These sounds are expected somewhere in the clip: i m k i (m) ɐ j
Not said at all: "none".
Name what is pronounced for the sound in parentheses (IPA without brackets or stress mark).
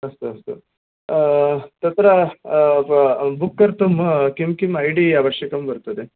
m